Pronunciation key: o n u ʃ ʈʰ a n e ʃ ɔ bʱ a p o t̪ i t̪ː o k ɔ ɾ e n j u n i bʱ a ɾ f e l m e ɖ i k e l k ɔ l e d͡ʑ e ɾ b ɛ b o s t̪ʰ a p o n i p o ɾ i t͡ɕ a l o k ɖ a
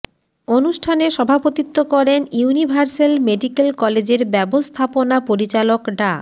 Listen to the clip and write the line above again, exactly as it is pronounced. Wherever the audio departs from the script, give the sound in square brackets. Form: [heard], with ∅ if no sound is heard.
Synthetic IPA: o n u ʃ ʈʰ a n e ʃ ɔ bʱ a p o t̪ i t̪ː o k ɔ ɾ e n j u n i bʱ a ɾ [s] e l m e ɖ i k e l k ɔ l e d͡ʑ e ɾ b ɛ b o s t̪ʰ a p o n [a] p o ɾ i t͡ɕ a l o k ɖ a